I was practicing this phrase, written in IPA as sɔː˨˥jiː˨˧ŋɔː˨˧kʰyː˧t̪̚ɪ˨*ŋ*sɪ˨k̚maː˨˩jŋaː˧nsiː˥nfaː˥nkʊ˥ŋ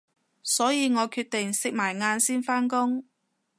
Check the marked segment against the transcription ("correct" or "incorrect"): correct